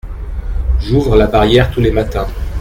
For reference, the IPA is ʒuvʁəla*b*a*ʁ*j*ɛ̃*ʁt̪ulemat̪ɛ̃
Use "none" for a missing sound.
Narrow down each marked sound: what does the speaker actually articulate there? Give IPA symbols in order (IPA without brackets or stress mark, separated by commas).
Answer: b, ʁ, ɛ